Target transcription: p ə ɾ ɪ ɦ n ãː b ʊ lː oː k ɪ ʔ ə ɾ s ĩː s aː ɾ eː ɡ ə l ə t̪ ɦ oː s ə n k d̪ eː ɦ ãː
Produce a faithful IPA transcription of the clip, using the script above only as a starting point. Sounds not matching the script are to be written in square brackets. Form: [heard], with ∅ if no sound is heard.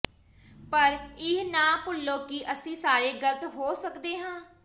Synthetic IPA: p ə ɾ ɪ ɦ n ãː [p] ʊ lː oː k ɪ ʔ ə [∅] s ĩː s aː ɾ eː ɡ ə l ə t̪ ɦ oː s ə [∅] k d̪ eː ɦ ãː